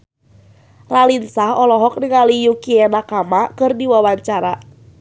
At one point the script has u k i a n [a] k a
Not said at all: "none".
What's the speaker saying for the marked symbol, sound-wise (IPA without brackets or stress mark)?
a